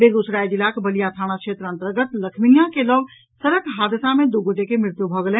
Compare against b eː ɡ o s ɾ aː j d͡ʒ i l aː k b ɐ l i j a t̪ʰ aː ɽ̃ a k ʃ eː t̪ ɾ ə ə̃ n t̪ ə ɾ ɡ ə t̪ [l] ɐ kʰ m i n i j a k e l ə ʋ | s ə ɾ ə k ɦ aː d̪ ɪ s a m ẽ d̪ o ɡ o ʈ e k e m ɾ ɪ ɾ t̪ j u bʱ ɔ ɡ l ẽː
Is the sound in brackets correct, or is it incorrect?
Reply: correct